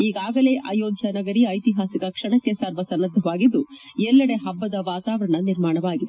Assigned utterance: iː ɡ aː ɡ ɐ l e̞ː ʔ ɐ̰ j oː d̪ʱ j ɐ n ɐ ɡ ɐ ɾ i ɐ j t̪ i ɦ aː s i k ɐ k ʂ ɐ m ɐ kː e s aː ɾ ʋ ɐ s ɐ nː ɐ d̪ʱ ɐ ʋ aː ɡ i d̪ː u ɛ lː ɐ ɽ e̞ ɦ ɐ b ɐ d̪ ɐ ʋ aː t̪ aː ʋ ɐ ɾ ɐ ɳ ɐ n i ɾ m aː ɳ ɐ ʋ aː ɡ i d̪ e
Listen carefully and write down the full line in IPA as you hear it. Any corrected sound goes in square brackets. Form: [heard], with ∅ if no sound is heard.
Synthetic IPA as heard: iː ɡ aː ɡ ɐ l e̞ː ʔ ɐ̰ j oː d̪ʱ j ɐ n ɐ ɡ ɐ ɾ i ɐ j t̪ i ɦ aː s i k ɐ k ʂ ɐ [ɳ] ɐ kː e s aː ɾ ʋ ɐ s ɐ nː ɐ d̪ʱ ɐ ʋ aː ɡ i d̪ː u ɛ lː ɐ ɽ e̞ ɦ ɐ [bː] ɐ d̪ ɐ ʋ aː t̪ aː ʋ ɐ ɾ ɐ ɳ ɐ n i ɾ m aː ɳ ɐ ʋ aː ɡ i d̪ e